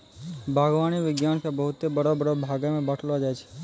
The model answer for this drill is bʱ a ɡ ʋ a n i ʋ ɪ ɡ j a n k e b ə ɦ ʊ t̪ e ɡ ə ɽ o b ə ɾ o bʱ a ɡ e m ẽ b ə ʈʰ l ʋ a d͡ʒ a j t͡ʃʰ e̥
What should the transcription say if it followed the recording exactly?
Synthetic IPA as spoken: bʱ a ɡ ʋ a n i ʋ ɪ ɡ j a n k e b ə ɦ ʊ t̪ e b ə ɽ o b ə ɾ o bʱ a ɡ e m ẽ b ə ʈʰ l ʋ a d͡ʒ a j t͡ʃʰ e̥

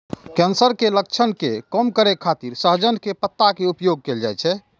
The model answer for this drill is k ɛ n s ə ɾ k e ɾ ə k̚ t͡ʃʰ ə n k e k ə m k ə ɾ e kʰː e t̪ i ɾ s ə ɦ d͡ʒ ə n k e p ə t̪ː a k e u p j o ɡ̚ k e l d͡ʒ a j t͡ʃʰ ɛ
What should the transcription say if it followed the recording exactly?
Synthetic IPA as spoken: k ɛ n s ə ɾ k e l ə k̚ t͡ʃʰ ə n k e k ə m k ə ɾ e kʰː a t̪ i ɾ s ə ɦ d͡ʒ ə n k e p ə t̪ː a k e u p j o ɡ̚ k e l d͡ʒ a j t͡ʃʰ ɛ

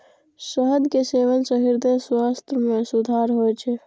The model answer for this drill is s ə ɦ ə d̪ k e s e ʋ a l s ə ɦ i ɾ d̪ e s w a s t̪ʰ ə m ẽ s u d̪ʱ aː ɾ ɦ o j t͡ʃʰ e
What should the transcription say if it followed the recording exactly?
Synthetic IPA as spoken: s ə ɦ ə d̪ k e s e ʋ ə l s ə ɦ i ɾ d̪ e s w a s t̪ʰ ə m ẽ s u d̪ʱ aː ɾ ɦ o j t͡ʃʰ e

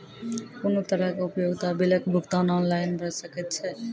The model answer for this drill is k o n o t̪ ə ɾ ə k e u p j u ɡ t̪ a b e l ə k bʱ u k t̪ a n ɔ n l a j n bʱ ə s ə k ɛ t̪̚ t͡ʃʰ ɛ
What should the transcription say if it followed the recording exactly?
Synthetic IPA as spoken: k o n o t̪ ə ɾ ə k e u p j o ɡ t̪ a b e l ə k bʱ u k t̪ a n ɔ n l a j n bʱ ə s ə k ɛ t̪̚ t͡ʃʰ ɛ

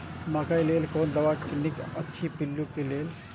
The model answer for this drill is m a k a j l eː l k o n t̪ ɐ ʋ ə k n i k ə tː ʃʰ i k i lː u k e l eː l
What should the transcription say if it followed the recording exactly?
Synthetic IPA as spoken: m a k a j l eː l k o n d̪ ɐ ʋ a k n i k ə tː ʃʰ i p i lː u k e l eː l

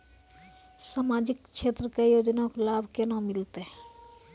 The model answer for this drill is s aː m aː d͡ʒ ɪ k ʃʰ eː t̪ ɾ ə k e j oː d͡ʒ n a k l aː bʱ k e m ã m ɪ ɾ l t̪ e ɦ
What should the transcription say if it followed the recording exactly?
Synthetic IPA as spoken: s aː m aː d͡ʒ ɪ k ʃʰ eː t̪ ɾ ə k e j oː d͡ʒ n a k l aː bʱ k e n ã m ɪ l t̪ e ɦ

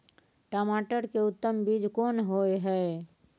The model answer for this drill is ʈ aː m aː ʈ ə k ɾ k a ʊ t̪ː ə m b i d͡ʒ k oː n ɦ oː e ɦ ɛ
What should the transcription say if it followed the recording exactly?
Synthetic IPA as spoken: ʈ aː m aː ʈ ə ɾ k e ʊ t̪ː ə m b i d͡ʒ k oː n ɦ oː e ɦ ɛ

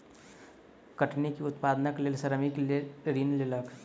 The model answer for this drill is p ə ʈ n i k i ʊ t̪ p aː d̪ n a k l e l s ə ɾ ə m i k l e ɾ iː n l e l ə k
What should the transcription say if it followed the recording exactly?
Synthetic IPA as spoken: k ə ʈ n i k i ʊ t̪ p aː d̪ n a k l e l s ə ɾ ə m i k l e ɾ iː n l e l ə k

